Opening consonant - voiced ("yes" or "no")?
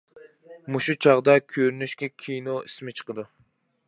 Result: yes